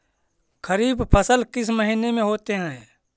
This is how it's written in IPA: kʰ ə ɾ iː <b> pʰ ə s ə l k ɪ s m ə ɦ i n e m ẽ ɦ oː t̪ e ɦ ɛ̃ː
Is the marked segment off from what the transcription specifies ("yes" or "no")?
no